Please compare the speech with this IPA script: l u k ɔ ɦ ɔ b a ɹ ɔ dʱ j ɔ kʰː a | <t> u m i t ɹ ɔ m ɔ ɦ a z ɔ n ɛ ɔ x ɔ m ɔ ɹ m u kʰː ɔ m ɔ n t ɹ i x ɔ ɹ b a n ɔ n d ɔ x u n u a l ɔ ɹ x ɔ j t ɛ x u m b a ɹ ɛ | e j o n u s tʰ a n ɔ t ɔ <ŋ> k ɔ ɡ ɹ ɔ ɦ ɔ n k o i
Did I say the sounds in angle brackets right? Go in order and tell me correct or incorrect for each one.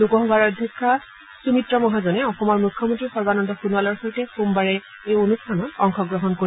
incorrect: s, correct

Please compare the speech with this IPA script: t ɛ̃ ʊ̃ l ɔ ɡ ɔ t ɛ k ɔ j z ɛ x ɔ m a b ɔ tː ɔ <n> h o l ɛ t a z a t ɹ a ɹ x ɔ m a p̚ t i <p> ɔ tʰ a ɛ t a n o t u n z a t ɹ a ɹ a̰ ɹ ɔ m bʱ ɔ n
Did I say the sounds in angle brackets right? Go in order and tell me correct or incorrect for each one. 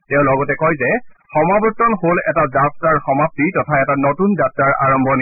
correct, incorrect: t

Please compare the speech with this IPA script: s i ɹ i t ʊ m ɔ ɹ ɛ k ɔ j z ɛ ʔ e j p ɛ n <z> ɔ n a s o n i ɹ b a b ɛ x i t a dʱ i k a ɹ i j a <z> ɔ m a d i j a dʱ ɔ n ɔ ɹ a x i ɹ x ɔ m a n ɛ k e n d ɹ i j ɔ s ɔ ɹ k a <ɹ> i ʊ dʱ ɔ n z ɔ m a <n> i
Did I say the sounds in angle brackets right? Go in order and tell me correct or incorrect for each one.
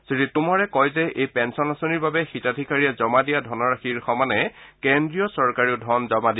incorrect: s, correct, correct, incorrect: d

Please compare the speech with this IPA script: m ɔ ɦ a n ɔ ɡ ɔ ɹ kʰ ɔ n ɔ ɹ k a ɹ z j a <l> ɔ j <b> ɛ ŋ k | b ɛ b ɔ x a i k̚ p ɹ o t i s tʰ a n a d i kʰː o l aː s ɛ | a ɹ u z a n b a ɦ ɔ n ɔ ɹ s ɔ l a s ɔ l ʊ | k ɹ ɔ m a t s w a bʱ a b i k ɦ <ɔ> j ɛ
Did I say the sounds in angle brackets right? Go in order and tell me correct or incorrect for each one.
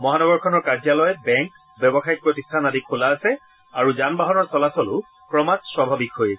correct, correct, incorrect: o

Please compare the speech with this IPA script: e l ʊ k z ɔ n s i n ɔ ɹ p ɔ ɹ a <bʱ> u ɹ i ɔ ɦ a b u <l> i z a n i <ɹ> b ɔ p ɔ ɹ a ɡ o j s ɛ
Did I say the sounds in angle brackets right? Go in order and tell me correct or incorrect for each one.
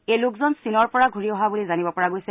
incorrect: ɡʱ, correct, incorrect: none

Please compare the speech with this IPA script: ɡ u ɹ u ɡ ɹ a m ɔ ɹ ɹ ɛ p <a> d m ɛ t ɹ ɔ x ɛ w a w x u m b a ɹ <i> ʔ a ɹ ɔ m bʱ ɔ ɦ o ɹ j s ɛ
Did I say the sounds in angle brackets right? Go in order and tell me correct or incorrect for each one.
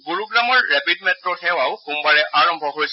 incorrect: i, incorrect: ɛ

